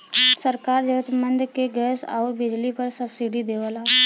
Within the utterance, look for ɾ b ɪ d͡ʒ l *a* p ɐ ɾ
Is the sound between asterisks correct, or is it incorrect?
incorrect